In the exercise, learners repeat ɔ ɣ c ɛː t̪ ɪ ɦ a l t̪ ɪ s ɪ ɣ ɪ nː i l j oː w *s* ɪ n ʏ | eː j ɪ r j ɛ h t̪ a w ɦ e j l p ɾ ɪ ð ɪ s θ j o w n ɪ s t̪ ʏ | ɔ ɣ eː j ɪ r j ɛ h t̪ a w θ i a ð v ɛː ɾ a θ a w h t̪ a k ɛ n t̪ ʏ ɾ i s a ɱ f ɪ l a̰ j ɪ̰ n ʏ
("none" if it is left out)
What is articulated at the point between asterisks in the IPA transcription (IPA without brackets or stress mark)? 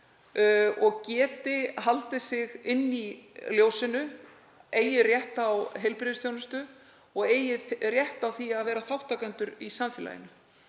s